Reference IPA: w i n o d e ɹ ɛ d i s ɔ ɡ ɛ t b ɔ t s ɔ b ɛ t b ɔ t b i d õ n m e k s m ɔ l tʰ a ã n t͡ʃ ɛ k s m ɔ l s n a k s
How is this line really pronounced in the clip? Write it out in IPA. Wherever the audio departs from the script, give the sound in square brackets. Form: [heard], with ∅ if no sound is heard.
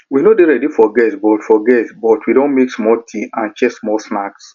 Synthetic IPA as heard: w i n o d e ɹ ɛ d i [f] ɔ ɡ ɛ t b ɔ t [f] ɔ [ɡ] ɛ t b ɔ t [w] i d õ n m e k s m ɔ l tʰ [i] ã n t͡ʃ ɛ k s m ɔ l s n a k s